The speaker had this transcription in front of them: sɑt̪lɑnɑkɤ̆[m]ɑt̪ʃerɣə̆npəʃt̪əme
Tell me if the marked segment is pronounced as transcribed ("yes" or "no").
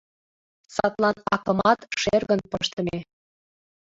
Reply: yes